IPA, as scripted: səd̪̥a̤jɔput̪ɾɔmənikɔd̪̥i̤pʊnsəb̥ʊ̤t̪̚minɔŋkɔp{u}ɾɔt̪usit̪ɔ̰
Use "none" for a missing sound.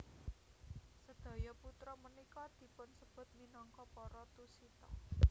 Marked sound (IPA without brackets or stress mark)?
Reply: ɔ